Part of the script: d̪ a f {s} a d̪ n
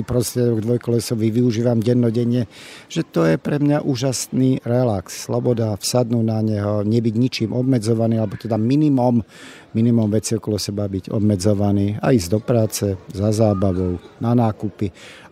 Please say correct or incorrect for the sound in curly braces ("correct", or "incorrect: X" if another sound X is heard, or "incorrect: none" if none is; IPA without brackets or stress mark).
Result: correct